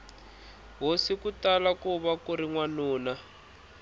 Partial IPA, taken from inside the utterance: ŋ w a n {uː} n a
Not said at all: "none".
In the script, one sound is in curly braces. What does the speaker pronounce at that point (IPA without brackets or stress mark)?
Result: uː